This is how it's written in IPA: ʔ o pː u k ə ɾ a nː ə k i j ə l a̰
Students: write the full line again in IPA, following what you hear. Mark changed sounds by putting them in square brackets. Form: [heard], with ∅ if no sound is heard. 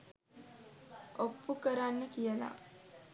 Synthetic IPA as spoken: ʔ o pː u k ə ɾ a nː ə k i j ə l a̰